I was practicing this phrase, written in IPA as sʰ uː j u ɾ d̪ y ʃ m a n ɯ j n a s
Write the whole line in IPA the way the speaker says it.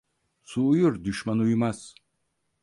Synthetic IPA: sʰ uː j u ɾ d̪ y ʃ m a n u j m a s